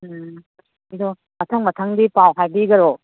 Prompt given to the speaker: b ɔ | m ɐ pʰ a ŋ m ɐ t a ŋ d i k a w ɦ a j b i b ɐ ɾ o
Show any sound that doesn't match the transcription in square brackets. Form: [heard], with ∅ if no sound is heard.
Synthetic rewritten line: [d] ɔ | m ɐ [tʰ] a ŋ m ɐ [tʰ] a ŋ d i [p] a w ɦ a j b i [ɡ] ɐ ɾ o